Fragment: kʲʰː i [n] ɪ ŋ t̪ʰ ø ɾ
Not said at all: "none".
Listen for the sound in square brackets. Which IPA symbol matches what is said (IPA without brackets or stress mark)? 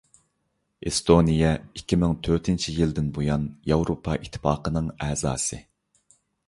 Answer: m